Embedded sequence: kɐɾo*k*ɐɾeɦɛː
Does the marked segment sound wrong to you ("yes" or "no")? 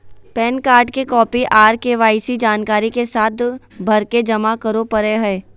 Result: yes